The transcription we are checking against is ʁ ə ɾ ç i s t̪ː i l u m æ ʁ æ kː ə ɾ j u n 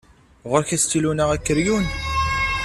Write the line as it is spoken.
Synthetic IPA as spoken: ʁ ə ɾ ç æ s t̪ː i l u n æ ʁ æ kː ə ɾ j u n

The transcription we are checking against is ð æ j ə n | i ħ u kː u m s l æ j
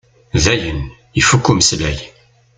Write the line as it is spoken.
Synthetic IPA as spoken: ð æ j ə n | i f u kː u m s l æ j

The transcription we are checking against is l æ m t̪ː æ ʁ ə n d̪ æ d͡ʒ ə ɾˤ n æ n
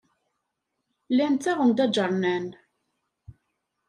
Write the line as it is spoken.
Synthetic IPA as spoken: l æ n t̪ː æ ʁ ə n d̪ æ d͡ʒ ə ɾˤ n æ n

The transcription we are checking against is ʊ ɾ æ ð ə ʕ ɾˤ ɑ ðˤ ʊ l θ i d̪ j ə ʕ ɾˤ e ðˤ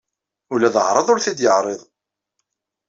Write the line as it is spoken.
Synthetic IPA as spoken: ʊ l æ ð ə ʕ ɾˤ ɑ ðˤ ʊ ɾ θ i d̪ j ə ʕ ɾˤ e ðˤ

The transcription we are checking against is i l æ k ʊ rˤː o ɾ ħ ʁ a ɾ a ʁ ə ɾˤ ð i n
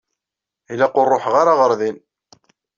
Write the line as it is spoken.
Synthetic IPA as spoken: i l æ q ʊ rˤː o ħ ʁ a ɾ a ʁ ə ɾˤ ð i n

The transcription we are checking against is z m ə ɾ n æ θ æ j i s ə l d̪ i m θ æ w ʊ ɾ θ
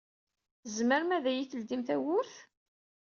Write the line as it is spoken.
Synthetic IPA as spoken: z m ə ɾ m æ ð æ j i θ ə l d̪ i m θ æ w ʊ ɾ θ

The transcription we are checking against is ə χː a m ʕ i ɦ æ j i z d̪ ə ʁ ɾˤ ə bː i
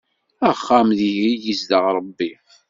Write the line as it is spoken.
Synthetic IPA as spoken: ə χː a m ð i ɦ i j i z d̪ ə ʁ ɾˤ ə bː i

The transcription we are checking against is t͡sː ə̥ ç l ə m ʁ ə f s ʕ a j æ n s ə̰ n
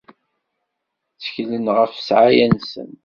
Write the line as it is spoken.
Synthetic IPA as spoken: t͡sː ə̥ ç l ə n ʁ ə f s ʕ a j æ n s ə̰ n

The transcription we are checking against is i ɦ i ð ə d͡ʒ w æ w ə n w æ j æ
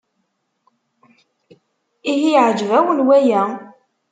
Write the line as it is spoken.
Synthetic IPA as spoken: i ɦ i ʕ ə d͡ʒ v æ w ə n w æ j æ

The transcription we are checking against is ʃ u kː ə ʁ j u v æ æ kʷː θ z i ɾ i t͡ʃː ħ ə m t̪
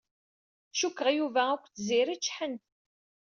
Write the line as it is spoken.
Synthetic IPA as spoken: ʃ u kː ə ʁ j u v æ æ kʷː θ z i ɾ i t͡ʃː ħ ə n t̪

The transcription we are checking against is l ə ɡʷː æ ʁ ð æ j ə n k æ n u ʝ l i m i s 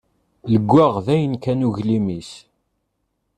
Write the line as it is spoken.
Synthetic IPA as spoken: l ə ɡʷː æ ʁ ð æ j ə n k æ n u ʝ l i m i s

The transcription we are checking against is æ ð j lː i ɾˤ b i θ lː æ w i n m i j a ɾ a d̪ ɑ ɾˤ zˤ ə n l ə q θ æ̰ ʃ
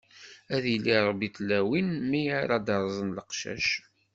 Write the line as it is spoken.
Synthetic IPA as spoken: æ ð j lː i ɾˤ b i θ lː æ w i n m i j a ɾ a d̪ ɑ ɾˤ zˤ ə n l ə q ʃ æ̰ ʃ

